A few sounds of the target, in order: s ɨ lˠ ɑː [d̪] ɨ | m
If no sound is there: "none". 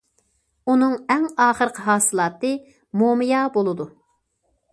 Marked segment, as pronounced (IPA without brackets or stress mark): t̪